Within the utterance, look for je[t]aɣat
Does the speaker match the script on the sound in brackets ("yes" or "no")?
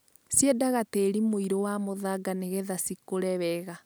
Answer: no